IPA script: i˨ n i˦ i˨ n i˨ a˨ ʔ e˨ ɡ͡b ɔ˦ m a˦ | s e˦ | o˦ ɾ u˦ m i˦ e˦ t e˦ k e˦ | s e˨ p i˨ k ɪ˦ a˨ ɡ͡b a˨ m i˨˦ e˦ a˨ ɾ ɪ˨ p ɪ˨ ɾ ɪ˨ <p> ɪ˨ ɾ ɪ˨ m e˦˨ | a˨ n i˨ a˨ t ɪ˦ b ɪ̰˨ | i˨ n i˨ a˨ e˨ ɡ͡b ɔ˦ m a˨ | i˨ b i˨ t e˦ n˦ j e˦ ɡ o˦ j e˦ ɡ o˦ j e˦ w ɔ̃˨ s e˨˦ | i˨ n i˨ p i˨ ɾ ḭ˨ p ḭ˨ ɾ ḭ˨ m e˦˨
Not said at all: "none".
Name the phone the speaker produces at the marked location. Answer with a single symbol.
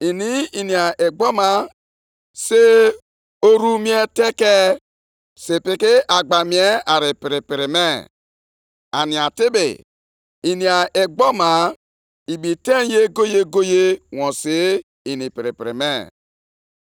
p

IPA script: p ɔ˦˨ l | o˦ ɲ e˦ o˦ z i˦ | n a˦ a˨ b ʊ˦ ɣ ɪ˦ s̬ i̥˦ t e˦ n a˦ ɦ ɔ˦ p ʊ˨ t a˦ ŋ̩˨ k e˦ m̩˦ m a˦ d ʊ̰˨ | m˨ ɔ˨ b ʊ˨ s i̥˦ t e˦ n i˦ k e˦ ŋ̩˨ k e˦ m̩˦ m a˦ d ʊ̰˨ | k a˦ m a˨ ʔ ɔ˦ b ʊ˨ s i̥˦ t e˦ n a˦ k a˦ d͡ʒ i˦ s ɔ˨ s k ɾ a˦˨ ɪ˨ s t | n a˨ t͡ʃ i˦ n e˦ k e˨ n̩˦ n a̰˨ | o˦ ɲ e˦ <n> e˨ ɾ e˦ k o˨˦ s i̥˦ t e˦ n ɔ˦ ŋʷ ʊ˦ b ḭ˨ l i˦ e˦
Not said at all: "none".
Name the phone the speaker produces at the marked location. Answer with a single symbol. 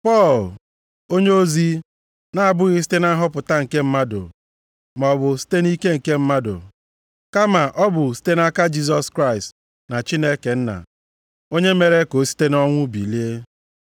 m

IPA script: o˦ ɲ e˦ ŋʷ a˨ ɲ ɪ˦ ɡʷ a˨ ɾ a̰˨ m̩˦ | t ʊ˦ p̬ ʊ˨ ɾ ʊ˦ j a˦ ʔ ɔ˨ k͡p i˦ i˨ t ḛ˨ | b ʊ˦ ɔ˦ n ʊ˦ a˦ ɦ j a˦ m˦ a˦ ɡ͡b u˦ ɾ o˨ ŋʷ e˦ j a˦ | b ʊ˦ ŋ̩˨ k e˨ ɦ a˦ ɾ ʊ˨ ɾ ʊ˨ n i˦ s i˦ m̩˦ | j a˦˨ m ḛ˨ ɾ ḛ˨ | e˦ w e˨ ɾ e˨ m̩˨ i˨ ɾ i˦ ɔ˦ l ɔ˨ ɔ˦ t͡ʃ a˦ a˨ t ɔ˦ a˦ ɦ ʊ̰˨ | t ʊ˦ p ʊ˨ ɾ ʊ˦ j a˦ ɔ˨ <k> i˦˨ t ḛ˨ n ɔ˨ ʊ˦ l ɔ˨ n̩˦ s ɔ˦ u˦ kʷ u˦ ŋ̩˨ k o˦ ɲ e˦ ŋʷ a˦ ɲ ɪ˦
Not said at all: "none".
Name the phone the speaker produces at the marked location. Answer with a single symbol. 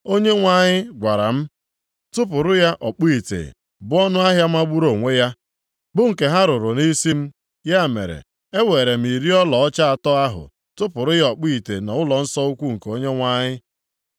k͡p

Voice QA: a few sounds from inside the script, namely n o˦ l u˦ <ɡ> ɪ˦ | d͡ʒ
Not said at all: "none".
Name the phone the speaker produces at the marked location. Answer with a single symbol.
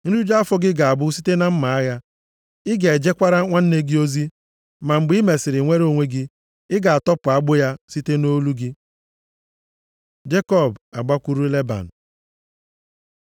ɡ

